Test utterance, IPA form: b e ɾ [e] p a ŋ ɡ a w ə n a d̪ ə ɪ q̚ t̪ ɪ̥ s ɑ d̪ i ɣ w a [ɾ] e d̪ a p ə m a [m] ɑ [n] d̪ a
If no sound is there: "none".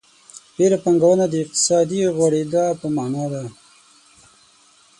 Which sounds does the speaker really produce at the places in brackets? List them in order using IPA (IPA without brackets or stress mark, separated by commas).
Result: a, ɽ, n, none